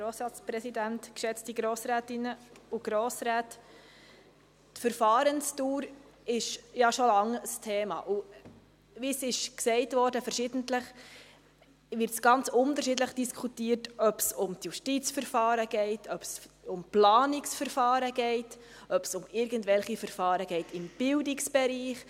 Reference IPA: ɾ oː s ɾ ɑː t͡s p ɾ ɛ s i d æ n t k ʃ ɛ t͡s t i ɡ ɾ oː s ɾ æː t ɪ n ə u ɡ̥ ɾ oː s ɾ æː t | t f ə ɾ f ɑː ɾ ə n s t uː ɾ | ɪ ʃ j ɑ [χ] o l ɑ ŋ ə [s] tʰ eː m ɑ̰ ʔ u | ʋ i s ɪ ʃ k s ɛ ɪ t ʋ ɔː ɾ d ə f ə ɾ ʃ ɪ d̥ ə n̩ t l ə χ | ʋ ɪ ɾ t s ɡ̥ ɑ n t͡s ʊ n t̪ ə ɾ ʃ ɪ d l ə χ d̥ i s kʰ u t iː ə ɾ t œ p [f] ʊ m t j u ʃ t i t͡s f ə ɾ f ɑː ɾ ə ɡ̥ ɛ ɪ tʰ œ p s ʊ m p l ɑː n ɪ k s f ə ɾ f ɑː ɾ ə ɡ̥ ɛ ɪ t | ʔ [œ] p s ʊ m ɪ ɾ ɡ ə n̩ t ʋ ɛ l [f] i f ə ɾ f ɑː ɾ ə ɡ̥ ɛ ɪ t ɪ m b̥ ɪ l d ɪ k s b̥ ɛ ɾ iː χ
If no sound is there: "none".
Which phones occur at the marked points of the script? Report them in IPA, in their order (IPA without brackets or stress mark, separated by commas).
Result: ʃ, s, s, œ, χ